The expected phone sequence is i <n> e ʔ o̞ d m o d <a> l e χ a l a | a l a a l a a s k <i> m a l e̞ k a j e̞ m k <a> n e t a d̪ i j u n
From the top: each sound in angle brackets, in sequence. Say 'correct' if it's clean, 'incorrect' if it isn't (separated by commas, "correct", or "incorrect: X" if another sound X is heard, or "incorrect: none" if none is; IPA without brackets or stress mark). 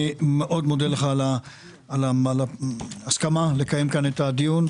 incorrect: m, incorrect: e, incorrect: a, correct